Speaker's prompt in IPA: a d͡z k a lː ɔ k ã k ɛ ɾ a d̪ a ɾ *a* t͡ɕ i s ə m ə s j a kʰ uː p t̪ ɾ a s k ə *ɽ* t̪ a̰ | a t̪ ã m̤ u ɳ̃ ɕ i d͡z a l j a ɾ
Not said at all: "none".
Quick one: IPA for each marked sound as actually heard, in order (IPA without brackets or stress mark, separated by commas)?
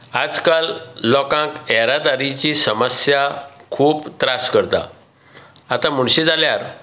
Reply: i, ɾ